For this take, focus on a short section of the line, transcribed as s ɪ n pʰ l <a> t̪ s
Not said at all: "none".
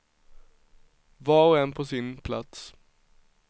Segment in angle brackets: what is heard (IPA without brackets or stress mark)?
a